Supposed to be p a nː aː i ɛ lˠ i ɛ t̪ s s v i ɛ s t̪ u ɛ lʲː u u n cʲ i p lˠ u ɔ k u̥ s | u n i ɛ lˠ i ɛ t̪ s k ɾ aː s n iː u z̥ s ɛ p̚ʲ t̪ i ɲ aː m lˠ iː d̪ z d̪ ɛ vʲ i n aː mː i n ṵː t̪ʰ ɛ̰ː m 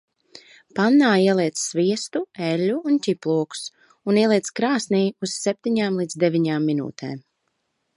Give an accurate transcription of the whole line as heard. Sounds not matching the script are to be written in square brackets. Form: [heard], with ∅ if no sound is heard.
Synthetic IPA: p a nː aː i ɛ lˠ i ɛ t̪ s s v i ɛ s t̪ u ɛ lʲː u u n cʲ i p lˠ u ɔ k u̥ s | u n i ɛ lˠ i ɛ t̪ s k ɾ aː s n iː u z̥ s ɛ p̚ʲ t̪ i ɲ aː m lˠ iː d̪ z d̪ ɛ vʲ i [ɲ] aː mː i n ṵː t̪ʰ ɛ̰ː m